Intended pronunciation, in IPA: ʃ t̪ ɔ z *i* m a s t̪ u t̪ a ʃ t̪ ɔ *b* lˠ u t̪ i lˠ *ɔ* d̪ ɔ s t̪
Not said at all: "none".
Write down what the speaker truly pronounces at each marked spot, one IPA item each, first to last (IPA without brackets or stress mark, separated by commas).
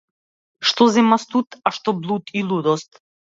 ɛ, b, u